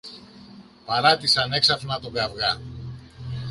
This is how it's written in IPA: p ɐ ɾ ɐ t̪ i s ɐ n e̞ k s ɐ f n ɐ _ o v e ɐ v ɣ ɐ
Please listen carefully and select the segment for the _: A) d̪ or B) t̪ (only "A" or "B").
B